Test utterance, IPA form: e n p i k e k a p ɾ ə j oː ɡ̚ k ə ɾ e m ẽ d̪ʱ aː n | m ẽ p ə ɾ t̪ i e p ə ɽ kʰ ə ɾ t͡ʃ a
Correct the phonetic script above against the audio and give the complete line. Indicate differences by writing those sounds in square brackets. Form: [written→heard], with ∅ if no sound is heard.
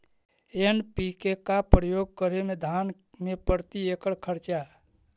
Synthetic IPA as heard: e n p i k e k a p ɾ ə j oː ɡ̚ k ə ɾ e m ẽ d̪ʱ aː n | m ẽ p ə ɾ t̪ i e [p→k] ə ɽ kʰ ə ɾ t͡ʃ a